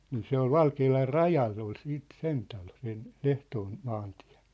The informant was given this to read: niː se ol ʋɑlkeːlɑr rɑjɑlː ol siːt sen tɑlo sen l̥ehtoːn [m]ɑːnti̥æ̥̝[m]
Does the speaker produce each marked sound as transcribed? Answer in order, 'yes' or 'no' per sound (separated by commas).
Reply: yes, no